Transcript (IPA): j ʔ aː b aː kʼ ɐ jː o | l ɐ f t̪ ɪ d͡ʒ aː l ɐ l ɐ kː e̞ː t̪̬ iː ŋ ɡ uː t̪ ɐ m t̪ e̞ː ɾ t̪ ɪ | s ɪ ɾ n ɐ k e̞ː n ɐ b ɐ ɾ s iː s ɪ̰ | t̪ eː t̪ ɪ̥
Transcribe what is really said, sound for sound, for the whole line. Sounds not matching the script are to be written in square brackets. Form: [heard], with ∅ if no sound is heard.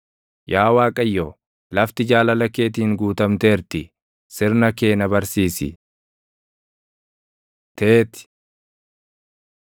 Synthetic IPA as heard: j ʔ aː [w] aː kʼ ɐ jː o | l ɐ f t̪ ɪ d͡ʒ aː l ɐ l ɐ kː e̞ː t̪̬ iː ŋ ɡ uː t̪ ɐ m t̪ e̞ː ɾ t̪ ɪ | s ɪ ɾ n ɐ k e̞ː n ɐ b ɐ ɾ s iː s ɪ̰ | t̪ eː t̪ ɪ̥